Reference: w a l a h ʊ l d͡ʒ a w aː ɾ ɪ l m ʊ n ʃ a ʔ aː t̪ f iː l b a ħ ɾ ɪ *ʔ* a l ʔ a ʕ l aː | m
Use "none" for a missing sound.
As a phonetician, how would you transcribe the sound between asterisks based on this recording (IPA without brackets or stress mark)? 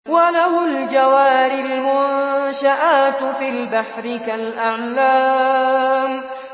k